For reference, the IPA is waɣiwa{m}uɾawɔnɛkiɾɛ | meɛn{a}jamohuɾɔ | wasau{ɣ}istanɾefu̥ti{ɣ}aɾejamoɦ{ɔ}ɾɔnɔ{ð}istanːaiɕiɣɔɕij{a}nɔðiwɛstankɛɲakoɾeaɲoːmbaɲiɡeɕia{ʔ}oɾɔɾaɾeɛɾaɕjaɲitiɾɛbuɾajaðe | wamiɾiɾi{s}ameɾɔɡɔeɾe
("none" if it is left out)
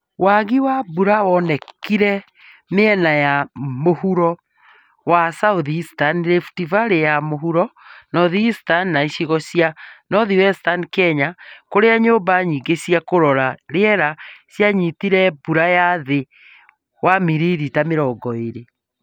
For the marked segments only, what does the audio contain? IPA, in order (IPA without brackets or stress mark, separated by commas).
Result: b, a, ð, v, u, ð, a, k, t